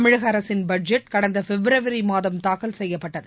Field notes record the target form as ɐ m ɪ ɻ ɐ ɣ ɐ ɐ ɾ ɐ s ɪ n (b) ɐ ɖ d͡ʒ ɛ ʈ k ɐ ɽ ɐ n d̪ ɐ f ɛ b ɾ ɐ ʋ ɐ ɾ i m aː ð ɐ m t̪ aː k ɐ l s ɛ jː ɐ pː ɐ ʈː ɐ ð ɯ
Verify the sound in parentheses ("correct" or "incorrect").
correct